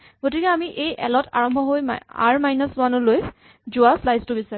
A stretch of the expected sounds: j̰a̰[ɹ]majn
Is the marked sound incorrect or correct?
correct